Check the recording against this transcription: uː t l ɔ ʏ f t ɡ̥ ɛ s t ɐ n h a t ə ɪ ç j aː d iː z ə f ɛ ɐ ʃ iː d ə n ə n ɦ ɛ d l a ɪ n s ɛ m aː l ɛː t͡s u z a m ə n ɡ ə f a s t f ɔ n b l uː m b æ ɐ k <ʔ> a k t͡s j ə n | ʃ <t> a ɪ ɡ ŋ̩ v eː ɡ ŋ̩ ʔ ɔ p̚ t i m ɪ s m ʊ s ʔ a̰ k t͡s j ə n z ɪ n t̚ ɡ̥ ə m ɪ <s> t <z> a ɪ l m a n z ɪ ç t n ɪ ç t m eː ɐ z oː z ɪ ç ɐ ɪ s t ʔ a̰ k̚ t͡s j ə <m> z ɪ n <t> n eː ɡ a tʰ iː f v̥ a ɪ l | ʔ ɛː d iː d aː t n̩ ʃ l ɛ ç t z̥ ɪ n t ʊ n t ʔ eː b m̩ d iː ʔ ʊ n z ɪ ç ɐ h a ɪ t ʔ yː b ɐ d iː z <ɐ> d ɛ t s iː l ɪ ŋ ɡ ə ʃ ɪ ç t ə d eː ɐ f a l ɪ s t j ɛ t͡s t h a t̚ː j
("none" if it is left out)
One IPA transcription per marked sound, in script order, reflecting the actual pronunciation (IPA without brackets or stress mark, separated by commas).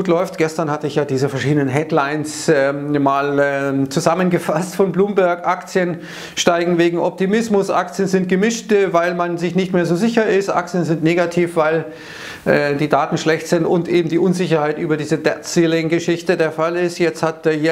ʔ, t, ʃ, v, n, t, ə